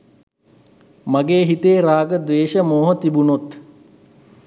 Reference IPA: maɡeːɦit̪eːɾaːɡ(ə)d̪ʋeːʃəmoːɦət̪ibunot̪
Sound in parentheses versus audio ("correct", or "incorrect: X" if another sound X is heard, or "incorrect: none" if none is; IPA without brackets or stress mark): correct